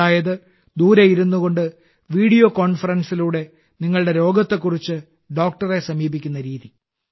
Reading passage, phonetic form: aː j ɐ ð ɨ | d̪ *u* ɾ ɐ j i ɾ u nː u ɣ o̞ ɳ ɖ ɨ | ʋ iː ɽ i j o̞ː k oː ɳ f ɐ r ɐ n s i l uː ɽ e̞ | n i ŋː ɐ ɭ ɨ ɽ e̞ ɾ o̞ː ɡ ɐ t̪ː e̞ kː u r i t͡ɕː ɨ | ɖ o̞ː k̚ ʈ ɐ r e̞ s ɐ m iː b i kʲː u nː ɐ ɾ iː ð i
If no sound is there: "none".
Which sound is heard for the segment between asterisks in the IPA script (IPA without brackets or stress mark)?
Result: uː